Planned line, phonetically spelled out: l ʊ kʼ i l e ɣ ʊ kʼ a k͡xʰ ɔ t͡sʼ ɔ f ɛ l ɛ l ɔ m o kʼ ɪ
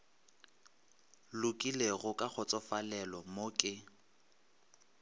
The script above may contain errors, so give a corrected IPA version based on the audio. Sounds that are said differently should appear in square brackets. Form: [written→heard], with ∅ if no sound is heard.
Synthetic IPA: l ʊ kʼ i l e ɣ ʊ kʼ a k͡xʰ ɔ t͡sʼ ɔ f [ɛ→a] l ɛ l ɔ m o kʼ ɪ